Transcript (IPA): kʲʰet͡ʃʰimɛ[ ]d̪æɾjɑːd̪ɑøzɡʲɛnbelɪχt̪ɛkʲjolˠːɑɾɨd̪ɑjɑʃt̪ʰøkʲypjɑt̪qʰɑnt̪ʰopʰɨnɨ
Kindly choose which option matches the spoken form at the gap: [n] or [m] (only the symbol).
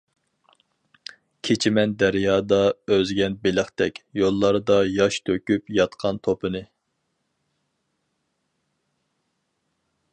n